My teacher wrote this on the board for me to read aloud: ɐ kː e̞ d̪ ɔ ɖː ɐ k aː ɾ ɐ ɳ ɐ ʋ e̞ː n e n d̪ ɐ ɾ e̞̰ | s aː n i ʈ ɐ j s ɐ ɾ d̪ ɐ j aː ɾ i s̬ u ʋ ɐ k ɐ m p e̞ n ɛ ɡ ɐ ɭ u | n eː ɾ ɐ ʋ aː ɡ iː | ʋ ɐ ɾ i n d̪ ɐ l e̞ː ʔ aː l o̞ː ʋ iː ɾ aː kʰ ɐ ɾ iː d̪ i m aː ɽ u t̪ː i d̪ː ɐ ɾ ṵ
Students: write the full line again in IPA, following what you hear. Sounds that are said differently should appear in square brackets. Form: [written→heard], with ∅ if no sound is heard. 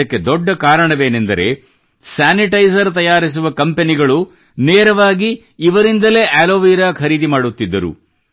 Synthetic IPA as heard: ɐ kː e̞ d̪ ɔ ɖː ɐ k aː ɾ ɐ ɳ ɐ ʋ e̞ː n e n d̪ ɐ ɾ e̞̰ | s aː n i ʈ ɐ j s ɐ ɾ [d̪→t̪] ɐ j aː ɾ i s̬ u ʋ ɐ k ɐ m p e̞ n [ɛ→i] ɡ ɐ ɭ u | n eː ɾ ɐ ʋ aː ɡ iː | ʋ ɐ ɾ i n d̪ ɐ l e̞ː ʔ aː l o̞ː ʋ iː ɾ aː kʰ ɐ ɾ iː d̪ i m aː ɽ u t̪ː i d̪ː ɐ ɾ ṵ

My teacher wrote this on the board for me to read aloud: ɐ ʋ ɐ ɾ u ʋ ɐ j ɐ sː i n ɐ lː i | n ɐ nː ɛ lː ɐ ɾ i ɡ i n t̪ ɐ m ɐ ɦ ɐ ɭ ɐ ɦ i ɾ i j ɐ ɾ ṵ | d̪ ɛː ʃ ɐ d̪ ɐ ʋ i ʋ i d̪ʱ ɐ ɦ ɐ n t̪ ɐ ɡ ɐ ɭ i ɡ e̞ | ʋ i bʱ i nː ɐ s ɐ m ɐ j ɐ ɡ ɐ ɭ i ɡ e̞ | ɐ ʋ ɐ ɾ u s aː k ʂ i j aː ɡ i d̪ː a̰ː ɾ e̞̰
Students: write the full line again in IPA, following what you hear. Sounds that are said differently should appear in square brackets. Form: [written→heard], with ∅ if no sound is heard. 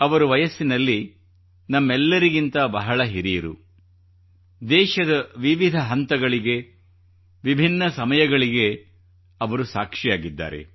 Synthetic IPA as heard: ɐ ʋ ɐ ɾ u ʋ ɐ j ɐ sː i n ɐ lː i | n ɐ [nː→mː] ɛ lː ɐ ɾ i ɡ i n t̪ ɐ [m→b] ɐ ɦ ɐ ɭ ɐ ɦ i ɾ i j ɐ ɾ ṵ | d̪ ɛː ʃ ɐ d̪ ɐ ʋ i ʋ i d̪ʱ ɐ ɦ ɐ n t̪ ɐ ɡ ɐ ɭ i ɡ e̞ | ʋ i bʱ i nː ɐ s ɐ m ɐ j ɐ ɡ ɐ ɭ i ɡ e̞ | ɐ ʋ ɐ ɾ u s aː k ʂ i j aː ɡ i d̪ː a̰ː ɾ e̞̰

